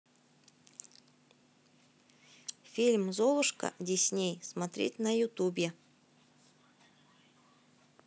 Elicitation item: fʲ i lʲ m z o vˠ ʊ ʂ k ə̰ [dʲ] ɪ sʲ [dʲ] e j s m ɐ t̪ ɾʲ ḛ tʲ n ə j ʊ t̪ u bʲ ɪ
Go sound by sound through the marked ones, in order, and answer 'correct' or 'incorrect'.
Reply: correct, incorrect: nʲ

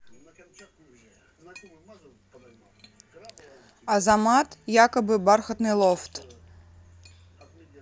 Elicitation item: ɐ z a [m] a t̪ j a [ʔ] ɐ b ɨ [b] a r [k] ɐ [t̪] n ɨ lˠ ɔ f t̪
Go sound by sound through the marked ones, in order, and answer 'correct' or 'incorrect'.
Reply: correct, incorrect: k, correct, incorrect: x, correct

